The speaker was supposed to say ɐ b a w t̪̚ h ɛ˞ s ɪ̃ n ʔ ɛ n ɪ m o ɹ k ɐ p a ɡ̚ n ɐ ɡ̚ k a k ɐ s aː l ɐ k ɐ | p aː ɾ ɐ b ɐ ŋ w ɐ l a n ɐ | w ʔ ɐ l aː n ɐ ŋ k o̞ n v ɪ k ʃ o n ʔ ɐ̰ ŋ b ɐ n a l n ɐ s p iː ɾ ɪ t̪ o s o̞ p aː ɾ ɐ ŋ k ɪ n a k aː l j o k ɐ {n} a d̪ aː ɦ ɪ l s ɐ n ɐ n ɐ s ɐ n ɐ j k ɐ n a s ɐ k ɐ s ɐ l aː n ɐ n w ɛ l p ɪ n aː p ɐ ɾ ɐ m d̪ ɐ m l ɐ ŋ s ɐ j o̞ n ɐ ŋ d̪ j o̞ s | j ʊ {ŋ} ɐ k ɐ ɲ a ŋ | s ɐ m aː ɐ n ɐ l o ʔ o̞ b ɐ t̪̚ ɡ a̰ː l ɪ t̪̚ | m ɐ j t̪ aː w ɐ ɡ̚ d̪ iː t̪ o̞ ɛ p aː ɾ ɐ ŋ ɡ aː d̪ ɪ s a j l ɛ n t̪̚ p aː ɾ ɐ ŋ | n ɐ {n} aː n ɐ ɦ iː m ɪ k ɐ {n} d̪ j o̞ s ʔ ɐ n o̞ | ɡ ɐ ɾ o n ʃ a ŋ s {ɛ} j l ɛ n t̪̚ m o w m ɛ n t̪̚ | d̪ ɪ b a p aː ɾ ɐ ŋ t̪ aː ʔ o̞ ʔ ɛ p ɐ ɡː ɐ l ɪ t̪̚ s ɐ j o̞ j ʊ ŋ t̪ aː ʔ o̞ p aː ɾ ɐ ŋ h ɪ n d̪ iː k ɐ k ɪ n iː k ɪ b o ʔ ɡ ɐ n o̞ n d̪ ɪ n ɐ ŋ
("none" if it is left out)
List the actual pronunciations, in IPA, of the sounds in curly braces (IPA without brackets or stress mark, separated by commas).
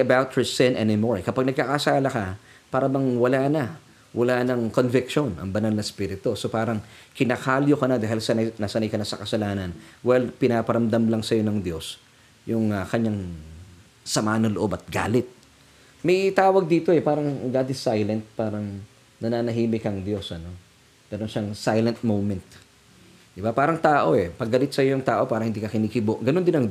n, ŋ, n, ŋ, a